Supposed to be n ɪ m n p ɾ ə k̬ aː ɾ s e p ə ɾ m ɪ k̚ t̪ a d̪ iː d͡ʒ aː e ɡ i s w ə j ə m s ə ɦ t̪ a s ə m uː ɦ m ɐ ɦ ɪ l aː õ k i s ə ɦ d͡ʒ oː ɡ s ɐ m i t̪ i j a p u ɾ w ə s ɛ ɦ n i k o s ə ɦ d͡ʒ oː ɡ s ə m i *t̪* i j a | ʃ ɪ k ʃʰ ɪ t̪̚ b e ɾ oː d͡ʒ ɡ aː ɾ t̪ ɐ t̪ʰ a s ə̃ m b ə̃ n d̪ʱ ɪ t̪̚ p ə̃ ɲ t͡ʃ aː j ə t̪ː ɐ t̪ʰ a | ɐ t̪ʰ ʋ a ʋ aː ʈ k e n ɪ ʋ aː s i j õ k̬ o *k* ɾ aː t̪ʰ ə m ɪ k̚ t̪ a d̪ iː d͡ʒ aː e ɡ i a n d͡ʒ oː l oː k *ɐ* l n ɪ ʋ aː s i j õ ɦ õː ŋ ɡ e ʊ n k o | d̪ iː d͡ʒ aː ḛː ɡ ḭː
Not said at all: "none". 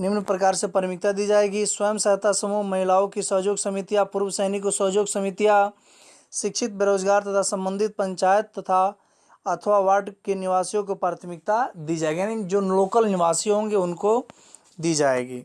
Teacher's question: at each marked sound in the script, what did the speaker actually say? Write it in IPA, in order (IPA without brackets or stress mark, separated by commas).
t̪, p, ə